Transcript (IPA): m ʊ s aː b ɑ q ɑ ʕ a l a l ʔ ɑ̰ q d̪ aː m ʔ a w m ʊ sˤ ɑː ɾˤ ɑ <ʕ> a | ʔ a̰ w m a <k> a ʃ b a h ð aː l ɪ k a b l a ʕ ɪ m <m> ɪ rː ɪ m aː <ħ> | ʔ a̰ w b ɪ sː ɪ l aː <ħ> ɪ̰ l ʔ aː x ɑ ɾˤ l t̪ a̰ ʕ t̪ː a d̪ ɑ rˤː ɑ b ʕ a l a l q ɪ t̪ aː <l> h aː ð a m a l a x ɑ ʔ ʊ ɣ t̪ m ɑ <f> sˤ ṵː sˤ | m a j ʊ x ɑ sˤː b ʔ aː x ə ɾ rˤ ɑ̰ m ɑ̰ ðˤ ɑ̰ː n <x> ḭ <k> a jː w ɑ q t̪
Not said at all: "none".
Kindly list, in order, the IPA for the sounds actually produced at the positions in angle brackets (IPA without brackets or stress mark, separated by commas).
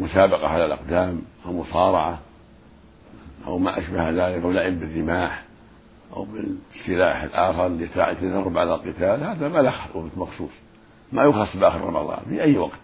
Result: ʕ, ʔ, b, ħ, ħ, l, x, f, ʔ